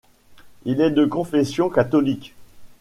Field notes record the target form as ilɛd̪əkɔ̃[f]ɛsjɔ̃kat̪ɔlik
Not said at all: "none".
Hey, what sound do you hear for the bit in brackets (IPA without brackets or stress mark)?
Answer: f